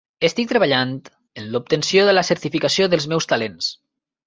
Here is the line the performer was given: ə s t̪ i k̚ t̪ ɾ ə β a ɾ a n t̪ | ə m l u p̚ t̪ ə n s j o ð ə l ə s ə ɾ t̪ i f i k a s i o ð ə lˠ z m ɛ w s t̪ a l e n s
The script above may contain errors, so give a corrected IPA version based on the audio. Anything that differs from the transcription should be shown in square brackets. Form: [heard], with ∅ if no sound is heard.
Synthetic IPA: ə s t̪ i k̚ t̪ ɾ ə β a [ʎ] a n t̪ | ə [n] l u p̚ t̪ ə n s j o ð ə l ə s ə ɾ t̪ i f i k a s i o ð ə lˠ z m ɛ w s t̪ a l e n s